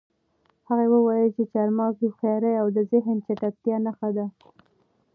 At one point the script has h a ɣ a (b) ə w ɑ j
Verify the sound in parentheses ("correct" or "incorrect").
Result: incorrect